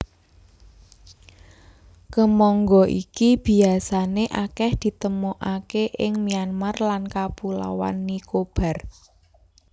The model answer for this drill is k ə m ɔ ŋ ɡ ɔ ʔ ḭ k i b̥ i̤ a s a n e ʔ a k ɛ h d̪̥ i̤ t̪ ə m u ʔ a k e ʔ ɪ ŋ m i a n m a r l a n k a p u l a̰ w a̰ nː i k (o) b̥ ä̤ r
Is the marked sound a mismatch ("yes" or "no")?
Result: no